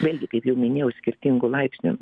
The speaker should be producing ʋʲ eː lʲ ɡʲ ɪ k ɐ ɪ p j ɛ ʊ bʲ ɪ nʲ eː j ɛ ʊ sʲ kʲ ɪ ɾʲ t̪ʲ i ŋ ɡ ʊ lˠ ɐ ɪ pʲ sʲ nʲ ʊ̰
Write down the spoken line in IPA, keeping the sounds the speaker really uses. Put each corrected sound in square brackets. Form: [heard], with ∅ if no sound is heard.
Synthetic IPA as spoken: ʋʲ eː lʲ ɡʲ ɪ k ɐ ɪ p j ɛ ʊ [mʲ] ɪ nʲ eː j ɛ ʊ sʲ kʲ ɪ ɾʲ t̪ʲ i ŋ ɡ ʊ lˠ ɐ ɪ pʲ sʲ nʲ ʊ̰